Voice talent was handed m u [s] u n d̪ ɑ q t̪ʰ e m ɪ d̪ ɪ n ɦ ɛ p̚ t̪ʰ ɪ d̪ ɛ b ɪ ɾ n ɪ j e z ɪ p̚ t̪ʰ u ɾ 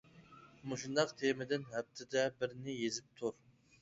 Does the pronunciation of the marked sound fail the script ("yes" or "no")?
yes